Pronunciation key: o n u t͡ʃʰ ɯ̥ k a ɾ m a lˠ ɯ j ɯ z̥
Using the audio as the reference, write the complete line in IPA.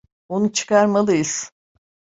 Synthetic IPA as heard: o n u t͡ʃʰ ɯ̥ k a ɾ m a lˠ ɯ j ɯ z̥